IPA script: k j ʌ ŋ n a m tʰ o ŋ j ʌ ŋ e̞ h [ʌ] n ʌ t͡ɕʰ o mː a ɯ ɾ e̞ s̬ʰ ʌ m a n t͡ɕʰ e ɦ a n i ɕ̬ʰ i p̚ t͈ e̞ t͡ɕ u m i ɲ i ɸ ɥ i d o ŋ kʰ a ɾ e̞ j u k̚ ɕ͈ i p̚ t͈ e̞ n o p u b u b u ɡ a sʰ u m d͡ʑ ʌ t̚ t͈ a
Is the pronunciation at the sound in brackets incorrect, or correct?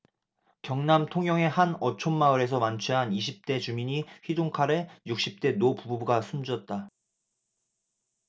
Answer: incorrect